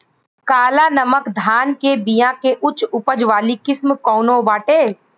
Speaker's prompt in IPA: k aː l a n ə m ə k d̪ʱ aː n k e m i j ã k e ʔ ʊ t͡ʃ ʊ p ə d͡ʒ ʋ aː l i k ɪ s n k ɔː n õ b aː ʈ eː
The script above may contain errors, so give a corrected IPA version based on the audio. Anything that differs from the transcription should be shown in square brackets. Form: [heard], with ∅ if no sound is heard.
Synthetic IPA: k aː l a n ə m ə k d̪ʱ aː n k e [b] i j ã k e ʔ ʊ t͡ʃ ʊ p ə d͡ʒ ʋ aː l i k ɪ s [m] k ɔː n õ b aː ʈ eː